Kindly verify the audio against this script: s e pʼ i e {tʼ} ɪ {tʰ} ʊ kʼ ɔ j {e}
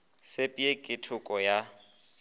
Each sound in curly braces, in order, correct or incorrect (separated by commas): incorrect, correct, incorrect